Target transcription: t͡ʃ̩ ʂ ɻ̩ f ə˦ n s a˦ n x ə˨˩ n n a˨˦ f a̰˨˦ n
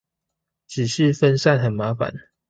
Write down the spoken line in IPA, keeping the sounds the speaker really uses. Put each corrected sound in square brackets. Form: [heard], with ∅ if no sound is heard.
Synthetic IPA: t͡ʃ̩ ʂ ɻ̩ f ə˦ n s [a˥˨] n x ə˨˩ n [m] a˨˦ f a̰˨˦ n